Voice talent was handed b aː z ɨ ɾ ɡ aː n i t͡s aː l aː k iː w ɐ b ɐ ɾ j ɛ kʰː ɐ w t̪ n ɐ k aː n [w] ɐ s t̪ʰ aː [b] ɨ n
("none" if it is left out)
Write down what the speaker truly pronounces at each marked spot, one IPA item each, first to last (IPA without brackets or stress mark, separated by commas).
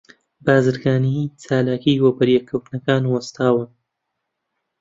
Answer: w, w